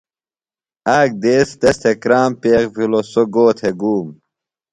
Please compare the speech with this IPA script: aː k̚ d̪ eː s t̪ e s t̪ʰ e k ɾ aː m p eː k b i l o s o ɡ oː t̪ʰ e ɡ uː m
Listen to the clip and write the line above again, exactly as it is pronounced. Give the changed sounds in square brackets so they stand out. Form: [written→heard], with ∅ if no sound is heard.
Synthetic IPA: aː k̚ d̪ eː s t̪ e s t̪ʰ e k ɾ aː m p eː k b i l o s o ɡ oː t̪ʰ e ɡ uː m